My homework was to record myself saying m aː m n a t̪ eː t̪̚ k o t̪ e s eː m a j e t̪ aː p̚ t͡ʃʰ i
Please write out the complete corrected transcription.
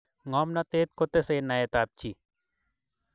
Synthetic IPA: ŋ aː m n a t̪ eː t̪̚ k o t̪ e s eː n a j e t̪ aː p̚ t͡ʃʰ i